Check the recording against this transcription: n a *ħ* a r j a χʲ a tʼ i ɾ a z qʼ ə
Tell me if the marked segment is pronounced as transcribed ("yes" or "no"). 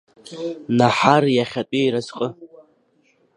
yes